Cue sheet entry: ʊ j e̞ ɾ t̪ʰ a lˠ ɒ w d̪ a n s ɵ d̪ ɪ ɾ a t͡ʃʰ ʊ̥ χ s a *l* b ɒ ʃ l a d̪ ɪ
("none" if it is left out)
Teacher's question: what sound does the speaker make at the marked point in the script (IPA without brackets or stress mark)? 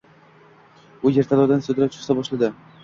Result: none